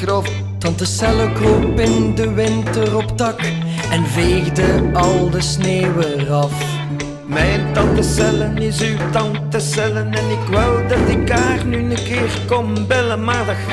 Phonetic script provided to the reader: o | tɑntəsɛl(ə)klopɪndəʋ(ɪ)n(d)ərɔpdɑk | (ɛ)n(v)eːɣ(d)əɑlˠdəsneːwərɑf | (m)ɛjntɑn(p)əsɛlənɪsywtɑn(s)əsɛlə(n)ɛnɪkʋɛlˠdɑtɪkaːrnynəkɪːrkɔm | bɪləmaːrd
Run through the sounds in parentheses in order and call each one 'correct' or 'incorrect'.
correct, correct, incorrect, correct, correct, correct, correct, incorrect, incorrect, correct

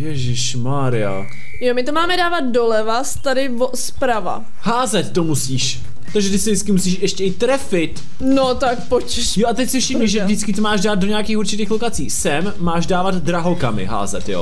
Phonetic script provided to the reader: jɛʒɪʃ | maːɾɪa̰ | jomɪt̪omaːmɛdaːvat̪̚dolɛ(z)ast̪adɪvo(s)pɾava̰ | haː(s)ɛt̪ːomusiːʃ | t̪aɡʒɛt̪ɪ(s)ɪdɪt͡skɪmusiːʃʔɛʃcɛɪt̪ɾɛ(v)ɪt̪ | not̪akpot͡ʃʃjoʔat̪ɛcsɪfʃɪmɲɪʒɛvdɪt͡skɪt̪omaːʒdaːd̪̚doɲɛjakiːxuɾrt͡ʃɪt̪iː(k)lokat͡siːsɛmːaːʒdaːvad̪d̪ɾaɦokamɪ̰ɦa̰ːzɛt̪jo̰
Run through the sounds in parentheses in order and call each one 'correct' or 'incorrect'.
incorrect, correct, incorrect, correct, incorrect, incorrect

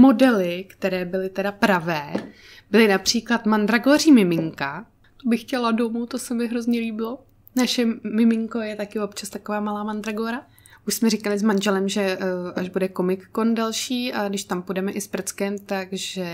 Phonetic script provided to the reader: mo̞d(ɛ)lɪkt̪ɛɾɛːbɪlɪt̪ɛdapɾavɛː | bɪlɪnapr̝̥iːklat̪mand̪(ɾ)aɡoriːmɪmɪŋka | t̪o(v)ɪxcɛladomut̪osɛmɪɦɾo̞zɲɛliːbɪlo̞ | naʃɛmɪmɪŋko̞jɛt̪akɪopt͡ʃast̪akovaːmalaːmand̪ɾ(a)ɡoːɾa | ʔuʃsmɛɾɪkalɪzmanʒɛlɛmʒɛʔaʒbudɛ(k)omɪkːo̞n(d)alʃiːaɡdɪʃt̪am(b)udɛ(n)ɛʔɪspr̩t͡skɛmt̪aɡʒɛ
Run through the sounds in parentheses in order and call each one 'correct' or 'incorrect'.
correct, correct, incorrect, correct, correct, correct, incorrect, incorrect

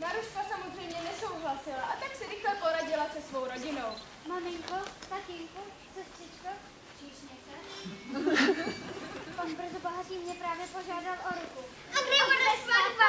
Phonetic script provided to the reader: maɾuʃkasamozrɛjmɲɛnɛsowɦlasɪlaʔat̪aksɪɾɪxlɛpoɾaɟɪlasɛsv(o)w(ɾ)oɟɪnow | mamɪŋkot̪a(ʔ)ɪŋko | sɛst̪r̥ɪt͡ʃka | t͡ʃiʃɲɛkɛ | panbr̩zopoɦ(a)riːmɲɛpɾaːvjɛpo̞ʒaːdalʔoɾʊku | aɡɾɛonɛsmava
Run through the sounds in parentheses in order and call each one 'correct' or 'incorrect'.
correct, correct, incorrect, correct

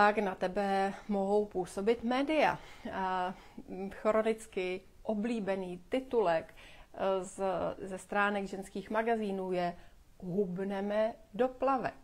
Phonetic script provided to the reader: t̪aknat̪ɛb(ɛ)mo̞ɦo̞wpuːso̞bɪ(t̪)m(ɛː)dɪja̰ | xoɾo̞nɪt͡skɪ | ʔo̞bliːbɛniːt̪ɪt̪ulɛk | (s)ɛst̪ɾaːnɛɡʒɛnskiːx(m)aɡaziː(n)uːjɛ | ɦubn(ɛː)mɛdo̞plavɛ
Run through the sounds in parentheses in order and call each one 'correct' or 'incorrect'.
correct, correct, correct, incorrect, correct, correct, incorrect

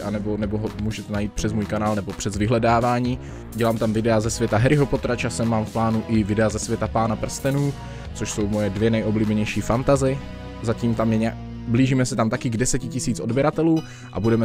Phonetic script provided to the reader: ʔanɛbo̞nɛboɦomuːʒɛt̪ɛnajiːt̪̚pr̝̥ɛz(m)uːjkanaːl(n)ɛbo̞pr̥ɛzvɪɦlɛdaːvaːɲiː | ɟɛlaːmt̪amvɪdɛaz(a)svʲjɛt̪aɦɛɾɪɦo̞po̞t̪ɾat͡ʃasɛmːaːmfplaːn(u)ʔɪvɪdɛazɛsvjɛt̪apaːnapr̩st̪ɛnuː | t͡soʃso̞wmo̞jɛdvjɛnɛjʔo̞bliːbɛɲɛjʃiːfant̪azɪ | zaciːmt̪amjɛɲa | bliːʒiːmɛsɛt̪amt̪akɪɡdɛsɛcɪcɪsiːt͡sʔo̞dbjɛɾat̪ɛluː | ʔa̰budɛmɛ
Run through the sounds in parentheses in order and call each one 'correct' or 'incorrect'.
correct, correct, incorrect, correct

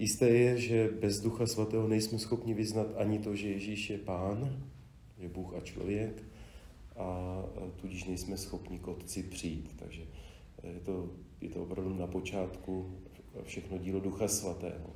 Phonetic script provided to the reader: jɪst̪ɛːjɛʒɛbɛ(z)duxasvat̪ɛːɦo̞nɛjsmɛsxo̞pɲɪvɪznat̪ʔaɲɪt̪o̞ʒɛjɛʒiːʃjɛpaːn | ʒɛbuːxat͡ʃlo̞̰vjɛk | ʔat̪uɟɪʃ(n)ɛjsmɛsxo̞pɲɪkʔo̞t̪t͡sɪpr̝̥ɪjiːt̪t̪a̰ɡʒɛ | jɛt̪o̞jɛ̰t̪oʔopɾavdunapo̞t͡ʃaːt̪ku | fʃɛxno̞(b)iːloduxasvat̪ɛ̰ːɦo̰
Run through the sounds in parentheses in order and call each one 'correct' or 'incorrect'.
correct, correct, incorrect

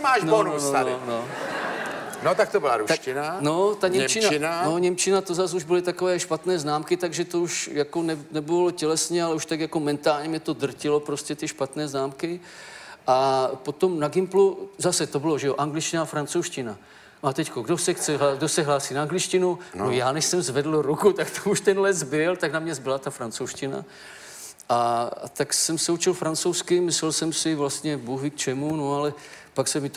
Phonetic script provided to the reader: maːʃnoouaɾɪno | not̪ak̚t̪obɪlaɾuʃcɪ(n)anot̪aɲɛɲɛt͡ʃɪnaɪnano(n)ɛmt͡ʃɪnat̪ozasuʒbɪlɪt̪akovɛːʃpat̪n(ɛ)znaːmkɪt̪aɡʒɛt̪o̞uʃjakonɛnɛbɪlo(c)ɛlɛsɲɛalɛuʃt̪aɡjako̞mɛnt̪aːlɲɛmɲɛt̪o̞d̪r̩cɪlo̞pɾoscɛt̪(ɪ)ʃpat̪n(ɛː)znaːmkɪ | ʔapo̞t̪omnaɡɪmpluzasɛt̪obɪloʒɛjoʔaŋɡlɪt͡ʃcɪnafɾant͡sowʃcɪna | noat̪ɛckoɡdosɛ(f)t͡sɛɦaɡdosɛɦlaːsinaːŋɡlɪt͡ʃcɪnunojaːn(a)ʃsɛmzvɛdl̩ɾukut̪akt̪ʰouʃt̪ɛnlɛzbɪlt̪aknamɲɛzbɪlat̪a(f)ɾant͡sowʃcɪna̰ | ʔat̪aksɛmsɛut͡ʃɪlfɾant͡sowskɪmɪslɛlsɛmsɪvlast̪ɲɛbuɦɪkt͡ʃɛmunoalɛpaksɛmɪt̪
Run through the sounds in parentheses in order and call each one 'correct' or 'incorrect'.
correct, incorrect, incorrect, correct, correct, correct, incorrect, incorrect, correct

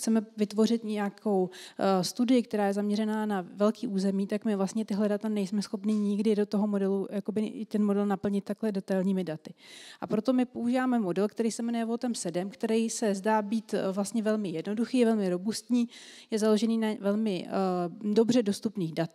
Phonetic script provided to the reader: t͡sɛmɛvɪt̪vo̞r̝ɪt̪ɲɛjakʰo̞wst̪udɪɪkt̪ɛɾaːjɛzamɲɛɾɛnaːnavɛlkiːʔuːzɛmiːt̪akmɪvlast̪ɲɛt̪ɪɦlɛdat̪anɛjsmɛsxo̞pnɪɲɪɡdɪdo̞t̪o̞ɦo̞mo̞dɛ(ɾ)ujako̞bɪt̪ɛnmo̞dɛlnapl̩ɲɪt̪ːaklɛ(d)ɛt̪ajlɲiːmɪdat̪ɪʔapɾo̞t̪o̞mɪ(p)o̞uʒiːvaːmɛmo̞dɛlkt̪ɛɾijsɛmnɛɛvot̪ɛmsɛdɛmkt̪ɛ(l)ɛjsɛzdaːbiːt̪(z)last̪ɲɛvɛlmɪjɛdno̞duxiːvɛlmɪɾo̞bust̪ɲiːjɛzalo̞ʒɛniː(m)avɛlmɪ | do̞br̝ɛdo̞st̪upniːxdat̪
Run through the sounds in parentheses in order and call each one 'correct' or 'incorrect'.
incorrect, correct, correct, incorrect, incorrect, incorrect

